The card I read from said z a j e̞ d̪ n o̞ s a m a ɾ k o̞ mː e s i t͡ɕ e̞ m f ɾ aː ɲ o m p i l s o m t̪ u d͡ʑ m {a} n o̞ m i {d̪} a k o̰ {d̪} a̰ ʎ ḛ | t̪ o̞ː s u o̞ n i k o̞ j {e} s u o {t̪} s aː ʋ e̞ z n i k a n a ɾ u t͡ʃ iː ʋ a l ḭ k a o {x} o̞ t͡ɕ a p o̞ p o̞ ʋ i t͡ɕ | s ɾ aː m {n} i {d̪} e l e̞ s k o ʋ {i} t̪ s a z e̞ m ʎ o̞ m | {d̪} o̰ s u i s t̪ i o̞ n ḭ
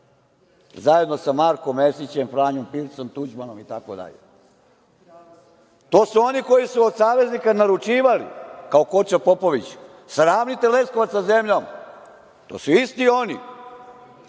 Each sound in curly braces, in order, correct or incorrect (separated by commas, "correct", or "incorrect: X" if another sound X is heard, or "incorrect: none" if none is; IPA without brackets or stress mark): correct, incorrect: t̪, correct, incorrect: i, incorrect: d̪, incorrect: k, correct, incorrect: t̪, incorrect: a, incorrect: t̪